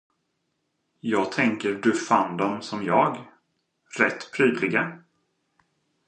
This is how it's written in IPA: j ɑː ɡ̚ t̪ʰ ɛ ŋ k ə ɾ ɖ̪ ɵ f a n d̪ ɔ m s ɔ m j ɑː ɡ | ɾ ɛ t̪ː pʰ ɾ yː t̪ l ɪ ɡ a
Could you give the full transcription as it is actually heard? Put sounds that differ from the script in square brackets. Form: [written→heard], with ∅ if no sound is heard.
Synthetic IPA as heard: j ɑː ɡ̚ t̪ʰ ɛ ŋ k ə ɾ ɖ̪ ɵ f a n d̪ ɔ m s ɔ m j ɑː ɡ | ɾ ɛ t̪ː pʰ ɾ yː [t̪→d̪] l ɪ ɡ a